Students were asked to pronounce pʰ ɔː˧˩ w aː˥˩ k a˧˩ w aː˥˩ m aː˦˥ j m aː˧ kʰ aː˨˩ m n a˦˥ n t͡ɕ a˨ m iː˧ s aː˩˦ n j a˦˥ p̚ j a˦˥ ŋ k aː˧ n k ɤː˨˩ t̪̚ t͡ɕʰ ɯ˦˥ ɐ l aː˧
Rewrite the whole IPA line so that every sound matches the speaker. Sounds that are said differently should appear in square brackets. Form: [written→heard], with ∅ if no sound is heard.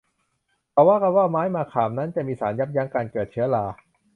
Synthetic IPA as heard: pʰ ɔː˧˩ w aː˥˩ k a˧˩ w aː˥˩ m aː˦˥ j m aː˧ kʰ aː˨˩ m n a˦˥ n t͡ɕ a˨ m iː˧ s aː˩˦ n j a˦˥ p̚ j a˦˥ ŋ k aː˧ n k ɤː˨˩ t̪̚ t͡ɕʰ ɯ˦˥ ɐ l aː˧